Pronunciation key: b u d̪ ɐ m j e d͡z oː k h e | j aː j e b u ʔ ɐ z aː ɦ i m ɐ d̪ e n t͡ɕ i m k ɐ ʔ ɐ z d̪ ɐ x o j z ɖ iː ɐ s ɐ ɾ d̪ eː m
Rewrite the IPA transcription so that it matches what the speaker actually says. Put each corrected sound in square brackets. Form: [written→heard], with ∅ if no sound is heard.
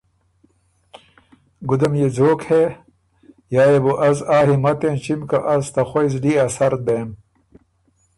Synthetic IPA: [b→ɡ] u d̪ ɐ m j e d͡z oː k h e | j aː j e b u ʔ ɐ z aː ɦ i m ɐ [d̪→t̪] e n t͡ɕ i m k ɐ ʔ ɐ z [d̪→t̪] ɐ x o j z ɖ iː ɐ s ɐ ɾ d̪ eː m